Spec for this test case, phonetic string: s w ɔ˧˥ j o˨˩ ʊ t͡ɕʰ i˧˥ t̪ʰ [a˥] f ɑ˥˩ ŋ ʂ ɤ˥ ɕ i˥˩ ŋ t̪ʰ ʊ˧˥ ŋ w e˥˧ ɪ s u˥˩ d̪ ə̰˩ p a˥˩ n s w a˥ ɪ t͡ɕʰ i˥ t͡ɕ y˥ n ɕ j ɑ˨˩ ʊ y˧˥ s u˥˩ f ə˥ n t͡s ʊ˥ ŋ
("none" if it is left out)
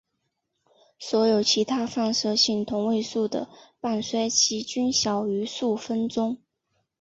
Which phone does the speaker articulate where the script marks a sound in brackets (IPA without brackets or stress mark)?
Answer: a˥